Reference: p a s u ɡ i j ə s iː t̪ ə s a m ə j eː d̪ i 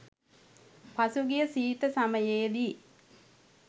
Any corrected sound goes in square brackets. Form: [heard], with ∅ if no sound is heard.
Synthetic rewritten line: p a s u ɡ i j ə s iː t̪ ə s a m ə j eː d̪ i